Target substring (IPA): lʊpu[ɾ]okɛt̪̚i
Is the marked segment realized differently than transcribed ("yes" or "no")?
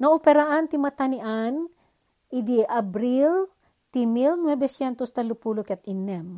yes